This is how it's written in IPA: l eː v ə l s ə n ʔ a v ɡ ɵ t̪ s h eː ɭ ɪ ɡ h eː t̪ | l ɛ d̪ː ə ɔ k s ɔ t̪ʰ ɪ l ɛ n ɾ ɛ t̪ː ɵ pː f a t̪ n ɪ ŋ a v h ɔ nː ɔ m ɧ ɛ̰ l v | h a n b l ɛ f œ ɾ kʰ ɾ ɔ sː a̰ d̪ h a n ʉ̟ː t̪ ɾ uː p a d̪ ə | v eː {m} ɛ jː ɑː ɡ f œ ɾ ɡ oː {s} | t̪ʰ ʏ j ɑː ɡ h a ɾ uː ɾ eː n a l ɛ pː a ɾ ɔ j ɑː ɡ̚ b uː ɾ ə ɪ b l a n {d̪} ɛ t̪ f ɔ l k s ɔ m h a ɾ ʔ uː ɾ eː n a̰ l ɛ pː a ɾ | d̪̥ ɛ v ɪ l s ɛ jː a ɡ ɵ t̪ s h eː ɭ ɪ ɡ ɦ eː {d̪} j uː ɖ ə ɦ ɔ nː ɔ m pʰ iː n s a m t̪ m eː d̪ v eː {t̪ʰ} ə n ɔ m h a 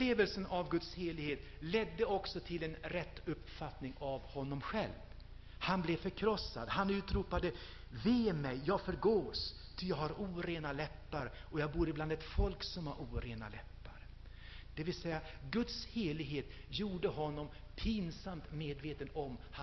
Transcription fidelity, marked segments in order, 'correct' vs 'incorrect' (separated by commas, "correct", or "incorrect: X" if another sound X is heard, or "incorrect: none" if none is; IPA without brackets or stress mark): correct, correct, correct, incorrect: t̪, incorrect: t̪